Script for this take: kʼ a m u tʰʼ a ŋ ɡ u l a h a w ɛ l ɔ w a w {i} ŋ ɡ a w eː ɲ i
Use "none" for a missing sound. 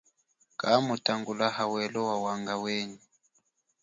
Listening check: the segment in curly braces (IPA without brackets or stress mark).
a